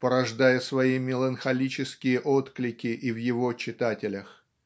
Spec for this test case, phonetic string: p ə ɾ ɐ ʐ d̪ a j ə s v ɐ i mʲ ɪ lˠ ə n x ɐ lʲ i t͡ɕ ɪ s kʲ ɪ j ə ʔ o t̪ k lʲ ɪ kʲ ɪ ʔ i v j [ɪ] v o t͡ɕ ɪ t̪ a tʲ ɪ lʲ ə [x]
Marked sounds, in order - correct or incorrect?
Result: correct, correct

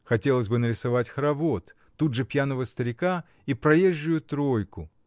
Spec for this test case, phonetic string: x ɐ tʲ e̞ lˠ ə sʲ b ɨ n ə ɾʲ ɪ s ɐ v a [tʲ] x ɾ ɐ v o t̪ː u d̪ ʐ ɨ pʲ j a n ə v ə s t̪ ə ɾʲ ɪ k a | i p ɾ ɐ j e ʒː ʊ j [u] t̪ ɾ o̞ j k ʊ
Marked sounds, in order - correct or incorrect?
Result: correct, incorrect: ʊ

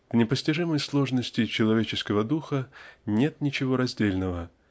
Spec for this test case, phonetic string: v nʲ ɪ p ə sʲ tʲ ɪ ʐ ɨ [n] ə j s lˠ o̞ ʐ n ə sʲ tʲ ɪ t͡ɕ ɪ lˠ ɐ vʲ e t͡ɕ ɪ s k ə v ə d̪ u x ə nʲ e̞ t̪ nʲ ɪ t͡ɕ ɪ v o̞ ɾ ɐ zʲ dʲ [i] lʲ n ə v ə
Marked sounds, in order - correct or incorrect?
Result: incorrect: m, incorrect: e

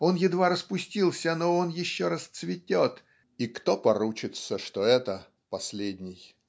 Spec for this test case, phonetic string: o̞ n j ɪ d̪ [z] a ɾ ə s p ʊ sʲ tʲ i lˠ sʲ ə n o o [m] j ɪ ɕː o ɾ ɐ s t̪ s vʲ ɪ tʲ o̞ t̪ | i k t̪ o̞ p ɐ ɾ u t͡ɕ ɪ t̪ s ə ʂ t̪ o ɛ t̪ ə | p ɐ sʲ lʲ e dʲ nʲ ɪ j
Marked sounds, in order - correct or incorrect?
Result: incorrect: v, incorrect: n

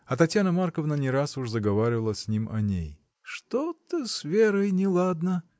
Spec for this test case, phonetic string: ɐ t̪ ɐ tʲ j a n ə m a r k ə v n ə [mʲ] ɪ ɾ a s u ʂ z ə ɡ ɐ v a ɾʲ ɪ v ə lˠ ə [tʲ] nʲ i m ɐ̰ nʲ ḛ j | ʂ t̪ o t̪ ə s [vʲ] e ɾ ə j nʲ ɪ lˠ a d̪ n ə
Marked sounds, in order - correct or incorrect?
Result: incorrect: nʲ, incorrect: sʲ, correct

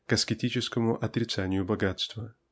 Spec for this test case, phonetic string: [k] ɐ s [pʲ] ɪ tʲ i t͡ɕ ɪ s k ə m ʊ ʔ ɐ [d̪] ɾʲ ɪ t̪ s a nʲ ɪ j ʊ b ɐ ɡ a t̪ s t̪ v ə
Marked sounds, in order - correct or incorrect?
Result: correct, incorrect: kʲ, incorrect: t̪

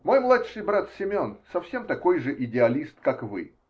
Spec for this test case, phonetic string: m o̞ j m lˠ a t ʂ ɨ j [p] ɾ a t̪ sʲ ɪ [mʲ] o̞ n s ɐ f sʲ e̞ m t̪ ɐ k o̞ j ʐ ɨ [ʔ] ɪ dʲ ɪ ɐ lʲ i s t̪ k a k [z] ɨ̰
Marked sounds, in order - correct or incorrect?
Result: incorrect: b, correct, correct, incorrect: v

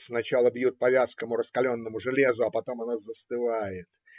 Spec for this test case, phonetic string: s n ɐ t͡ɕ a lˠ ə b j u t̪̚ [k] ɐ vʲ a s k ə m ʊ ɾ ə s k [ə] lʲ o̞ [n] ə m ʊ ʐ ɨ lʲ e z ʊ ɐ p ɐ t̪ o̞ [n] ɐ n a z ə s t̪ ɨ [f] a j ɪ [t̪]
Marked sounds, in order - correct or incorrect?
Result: incorrect: p, incorrect: ɐ, incorrect: nː, incorrect: m, incorrect: v, correct

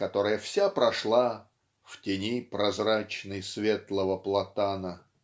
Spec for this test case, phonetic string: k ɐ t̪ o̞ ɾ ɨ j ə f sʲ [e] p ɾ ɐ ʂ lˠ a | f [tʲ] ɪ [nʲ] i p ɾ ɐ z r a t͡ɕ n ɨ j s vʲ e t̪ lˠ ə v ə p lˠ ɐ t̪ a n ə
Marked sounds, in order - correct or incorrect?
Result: incorrect: a, correct, correct

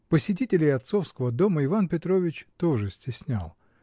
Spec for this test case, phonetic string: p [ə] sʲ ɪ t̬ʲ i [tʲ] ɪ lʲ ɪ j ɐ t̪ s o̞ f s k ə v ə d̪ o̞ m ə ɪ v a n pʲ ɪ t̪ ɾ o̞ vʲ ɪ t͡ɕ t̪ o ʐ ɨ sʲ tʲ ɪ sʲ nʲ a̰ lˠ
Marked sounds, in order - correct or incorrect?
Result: correct, correct

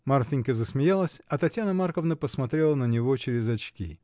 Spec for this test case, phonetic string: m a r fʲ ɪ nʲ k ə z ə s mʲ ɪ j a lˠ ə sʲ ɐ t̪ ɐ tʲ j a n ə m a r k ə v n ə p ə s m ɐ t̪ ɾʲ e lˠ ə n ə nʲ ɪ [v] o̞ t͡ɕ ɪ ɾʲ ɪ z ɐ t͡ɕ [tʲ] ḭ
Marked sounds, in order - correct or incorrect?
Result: correct, incorrect: kʲ

